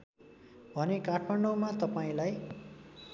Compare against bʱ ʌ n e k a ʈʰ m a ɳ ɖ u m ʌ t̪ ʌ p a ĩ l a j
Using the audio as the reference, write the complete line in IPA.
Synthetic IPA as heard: bʱ ʌ n e k a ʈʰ m a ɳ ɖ o m a t̪ ʌ p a ĩ l a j